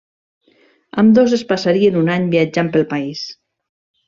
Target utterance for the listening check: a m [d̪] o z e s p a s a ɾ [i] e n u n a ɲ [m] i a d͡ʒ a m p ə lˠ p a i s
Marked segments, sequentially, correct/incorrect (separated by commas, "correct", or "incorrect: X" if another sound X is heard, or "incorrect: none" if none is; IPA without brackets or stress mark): correct, correct, incorrect: b